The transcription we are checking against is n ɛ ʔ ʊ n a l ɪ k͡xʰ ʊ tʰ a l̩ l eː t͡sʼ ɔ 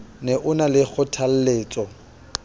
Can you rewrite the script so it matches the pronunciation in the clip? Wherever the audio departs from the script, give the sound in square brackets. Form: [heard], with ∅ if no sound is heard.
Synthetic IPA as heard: n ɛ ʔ ʊ n a l ɪ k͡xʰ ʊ tʰ a l̩ l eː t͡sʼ ɔ